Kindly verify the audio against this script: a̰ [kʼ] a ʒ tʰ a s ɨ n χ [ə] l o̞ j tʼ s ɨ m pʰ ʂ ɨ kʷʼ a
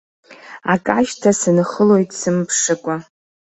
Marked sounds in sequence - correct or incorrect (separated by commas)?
correct, correct